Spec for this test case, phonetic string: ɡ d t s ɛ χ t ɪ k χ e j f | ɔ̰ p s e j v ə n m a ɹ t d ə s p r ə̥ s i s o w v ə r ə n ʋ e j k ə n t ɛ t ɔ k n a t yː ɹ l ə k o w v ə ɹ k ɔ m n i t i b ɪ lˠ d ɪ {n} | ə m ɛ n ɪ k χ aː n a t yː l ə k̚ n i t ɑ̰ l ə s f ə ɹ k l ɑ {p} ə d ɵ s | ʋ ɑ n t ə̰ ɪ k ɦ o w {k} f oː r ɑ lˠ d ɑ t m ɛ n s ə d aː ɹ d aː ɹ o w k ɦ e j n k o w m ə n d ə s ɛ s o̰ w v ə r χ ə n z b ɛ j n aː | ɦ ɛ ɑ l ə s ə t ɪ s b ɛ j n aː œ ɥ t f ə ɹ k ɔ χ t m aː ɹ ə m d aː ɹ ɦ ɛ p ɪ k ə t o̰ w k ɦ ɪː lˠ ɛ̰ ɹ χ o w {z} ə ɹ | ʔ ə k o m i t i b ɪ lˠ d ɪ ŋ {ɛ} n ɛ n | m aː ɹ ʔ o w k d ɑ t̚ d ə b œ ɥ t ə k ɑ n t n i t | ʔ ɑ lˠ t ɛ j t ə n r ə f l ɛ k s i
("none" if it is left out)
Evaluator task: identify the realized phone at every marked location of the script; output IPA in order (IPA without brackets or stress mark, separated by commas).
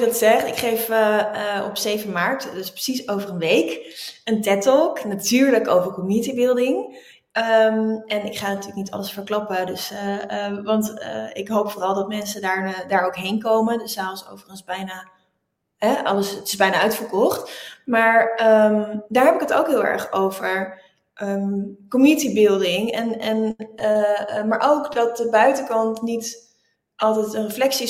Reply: ŋ, p, p, v, ɛ